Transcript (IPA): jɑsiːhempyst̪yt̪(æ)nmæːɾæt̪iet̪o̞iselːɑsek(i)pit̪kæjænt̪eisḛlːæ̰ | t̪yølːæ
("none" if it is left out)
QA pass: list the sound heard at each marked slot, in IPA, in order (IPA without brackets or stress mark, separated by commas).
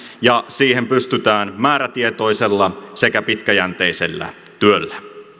æː, æ